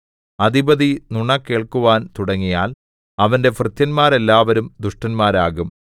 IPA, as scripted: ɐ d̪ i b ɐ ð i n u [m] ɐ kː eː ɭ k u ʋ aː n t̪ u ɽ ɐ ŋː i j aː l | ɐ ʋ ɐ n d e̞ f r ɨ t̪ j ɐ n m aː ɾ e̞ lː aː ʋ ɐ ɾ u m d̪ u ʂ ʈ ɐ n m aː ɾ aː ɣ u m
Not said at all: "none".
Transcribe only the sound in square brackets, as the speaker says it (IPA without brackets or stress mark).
ɳ